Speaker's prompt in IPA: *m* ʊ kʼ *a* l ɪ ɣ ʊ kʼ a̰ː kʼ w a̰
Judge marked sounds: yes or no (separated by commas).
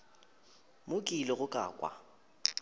yes, no